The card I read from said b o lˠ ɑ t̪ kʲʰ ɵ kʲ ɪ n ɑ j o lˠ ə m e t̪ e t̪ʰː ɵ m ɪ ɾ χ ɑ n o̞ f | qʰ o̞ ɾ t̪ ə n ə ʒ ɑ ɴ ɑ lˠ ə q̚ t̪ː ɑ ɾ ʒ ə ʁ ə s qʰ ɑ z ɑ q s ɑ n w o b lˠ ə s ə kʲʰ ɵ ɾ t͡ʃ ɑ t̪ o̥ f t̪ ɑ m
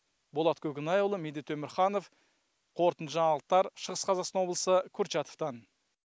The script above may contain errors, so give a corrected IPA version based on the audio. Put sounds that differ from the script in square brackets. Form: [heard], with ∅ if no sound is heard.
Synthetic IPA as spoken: b o lˠ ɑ t̪ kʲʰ ɵ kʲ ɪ n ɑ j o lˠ ə m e [d̪] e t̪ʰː ɵ m ɪ ɾ χ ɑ n o̞ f | qʰ o̞ ɾ t̪ ə n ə ʒ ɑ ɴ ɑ lˠ ə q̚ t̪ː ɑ ɾ [ʃ] ə ʁ ə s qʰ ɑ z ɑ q s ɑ n w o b lˠ ə s ə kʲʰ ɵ ɾ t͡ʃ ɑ t̪ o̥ f t̪ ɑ [n]